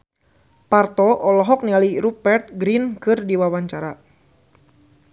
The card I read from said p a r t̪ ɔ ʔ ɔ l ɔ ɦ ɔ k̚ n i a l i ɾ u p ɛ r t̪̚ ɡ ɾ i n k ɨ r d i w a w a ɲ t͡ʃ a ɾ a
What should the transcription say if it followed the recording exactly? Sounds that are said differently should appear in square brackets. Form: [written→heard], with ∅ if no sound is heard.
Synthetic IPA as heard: p a r t̪ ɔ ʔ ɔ l ɔ ɦ ɔ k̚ n i a l i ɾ u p ɛ r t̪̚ ɡ ɾ i n k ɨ r d i w a w a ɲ t͡ʃ a ɾ a